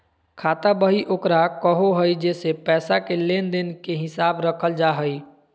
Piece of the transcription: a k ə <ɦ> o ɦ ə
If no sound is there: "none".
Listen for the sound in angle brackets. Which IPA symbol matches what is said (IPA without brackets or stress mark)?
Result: ɦ